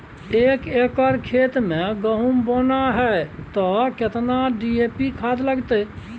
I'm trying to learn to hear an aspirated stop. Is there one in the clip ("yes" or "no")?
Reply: yes